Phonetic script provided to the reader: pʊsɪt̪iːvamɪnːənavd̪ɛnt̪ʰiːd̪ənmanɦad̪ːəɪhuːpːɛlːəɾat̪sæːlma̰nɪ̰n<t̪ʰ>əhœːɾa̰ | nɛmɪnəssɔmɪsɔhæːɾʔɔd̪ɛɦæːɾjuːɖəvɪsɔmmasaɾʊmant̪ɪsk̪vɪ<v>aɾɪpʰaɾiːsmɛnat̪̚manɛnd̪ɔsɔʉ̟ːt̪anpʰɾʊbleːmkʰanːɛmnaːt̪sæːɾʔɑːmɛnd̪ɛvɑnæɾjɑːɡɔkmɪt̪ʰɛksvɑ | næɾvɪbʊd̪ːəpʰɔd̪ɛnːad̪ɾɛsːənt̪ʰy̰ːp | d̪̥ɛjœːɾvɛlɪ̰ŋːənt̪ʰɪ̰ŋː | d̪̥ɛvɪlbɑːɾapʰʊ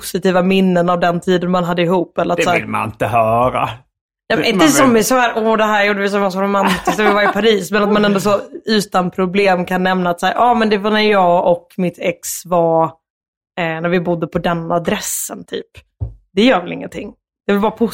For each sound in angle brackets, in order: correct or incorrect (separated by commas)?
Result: incorrect, correct